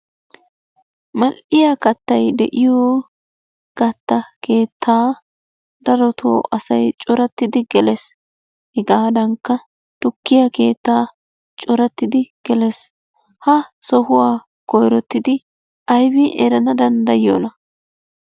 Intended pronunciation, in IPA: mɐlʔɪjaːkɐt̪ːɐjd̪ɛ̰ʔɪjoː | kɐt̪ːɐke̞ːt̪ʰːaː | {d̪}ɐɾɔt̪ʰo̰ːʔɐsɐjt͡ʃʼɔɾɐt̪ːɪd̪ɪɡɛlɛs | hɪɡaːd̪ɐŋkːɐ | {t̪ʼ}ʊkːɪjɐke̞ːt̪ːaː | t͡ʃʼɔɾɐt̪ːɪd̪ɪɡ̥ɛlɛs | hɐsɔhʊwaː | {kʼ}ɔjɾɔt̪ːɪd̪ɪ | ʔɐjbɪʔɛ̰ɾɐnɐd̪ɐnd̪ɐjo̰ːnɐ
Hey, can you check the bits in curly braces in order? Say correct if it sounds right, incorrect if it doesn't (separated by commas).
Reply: correct, incorrect, incorrect